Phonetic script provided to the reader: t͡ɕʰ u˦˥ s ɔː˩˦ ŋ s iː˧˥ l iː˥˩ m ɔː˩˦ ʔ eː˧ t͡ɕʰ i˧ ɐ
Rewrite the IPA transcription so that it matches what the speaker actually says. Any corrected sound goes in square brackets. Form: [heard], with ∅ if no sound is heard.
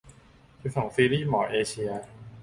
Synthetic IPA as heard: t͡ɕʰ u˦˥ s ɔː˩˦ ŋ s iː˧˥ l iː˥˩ m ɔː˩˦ ʔ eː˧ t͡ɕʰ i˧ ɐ